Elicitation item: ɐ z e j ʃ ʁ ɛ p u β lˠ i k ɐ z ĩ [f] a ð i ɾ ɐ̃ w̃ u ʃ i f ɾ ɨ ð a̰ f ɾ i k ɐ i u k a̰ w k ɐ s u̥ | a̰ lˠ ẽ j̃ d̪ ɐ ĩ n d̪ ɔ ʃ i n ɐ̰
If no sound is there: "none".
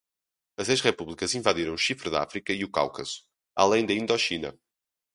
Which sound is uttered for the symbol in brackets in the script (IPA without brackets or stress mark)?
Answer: v